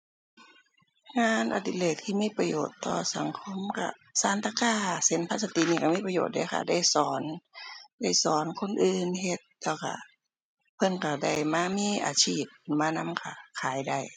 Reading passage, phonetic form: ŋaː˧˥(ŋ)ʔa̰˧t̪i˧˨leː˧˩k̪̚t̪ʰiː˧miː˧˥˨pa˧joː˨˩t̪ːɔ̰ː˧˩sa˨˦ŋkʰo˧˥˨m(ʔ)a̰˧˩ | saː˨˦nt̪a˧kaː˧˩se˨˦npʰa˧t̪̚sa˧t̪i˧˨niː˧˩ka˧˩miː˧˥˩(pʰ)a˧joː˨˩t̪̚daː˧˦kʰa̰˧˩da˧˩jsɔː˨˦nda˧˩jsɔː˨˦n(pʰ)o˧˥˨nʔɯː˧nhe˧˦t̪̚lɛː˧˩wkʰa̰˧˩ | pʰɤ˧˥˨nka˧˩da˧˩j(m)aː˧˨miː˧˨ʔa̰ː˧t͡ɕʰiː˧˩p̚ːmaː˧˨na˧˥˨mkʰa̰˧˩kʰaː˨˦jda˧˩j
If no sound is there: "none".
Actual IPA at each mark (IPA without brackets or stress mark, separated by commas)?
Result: n, k, p, kʰ, m